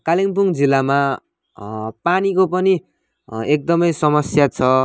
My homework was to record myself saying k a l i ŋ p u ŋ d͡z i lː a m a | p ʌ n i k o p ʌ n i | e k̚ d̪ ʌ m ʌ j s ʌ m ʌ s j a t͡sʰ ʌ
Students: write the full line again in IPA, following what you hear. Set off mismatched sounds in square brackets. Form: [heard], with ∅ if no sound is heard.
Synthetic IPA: k a l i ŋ p u ŋ d͡z i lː a m a | p [a] n i k o p ʌ n i | e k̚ d̪ ʌ m ʌ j s ʌ m ʌ s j a t͡sʰ ʌ